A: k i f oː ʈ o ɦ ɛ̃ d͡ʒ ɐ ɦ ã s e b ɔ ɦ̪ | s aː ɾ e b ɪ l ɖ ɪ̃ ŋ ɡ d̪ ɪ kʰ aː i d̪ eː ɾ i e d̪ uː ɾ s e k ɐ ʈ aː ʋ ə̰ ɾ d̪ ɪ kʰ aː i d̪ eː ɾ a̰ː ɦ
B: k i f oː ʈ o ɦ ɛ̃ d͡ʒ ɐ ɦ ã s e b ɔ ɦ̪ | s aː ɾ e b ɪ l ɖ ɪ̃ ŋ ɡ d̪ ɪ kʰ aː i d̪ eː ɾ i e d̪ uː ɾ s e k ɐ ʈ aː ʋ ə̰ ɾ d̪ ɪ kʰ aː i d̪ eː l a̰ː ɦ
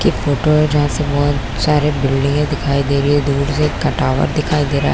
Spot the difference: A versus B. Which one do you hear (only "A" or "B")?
A